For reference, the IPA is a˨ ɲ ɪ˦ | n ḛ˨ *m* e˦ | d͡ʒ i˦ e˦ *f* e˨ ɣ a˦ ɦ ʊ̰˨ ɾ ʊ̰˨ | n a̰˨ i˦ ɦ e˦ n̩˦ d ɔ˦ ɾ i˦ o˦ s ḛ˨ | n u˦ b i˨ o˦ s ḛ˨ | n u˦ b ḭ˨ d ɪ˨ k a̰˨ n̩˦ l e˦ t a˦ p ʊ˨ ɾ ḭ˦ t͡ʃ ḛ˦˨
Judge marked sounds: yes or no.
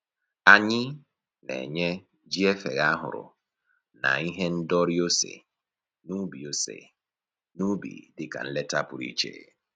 no, yes

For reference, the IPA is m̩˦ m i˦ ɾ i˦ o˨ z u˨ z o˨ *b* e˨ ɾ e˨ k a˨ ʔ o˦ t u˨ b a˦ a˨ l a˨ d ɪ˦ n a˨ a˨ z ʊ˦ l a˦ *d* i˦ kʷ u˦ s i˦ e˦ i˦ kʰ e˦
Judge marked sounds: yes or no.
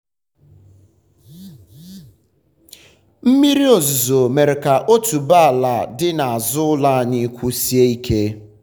no, no

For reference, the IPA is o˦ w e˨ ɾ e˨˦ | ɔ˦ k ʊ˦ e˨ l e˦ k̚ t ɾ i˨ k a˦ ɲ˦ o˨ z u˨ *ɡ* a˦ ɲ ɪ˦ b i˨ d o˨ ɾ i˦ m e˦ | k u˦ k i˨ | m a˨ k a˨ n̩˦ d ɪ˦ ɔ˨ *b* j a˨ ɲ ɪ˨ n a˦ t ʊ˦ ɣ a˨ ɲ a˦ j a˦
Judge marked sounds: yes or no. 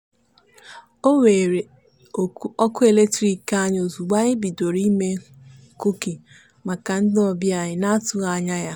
no, yes

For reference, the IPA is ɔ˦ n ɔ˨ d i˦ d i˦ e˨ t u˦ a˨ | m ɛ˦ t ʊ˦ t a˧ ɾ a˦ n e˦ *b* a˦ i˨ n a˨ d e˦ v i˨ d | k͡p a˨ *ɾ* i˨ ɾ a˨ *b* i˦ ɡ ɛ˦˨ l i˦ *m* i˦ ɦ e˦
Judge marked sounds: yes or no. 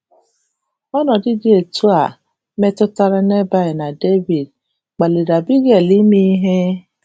yes, no, yes, yes

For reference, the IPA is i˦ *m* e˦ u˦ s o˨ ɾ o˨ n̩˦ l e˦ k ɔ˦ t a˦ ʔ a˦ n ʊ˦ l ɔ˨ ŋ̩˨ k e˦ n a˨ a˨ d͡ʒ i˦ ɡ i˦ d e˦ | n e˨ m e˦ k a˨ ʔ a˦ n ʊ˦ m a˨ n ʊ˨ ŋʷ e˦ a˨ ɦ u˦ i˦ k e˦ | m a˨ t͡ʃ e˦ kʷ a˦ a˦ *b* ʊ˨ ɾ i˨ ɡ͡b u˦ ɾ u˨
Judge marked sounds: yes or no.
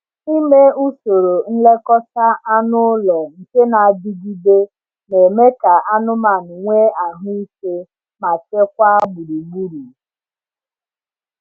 yes, yes

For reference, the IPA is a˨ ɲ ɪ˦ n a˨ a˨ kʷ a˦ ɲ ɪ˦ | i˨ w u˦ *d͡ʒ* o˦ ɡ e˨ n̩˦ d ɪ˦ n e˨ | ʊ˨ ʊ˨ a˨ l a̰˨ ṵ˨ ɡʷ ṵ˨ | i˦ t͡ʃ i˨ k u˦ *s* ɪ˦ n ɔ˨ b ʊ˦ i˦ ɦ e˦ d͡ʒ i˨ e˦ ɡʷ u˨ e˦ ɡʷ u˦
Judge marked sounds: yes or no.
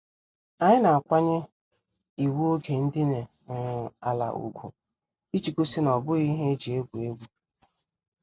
no, yes

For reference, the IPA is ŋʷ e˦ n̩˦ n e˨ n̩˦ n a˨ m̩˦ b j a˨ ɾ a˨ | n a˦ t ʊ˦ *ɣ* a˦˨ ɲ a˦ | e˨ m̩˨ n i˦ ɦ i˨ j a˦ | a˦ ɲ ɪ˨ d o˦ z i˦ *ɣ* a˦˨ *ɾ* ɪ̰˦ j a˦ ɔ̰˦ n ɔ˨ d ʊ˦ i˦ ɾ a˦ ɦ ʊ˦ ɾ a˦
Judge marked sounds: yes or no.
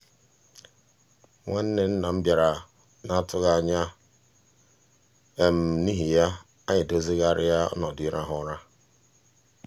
yes, yes, yes

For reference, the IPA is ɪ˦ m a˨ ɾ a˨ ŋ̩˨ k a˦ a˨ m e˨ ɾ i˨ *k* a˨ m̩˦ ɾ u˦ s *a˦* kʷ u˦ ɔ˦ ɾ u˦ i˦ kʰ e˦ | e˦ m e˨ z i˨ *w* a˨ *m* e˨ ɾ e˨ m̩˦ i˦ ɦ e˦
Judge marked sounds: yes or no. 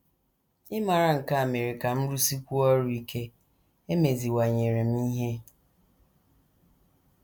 yes, no, yes, no

